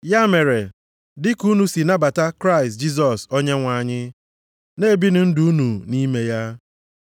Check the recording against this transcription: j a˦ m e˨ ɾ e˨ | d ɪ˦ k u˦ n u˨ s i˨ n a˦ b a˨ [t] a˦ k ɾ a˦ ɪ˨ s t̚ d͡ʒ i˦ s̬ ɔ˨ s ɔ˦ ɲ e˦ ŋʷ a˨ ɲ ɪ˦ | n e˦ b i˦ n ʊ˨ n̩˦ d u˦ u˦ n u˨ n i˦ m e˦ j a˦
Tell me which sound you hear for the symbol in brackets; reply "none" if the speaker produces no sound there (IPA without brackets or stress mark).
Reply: t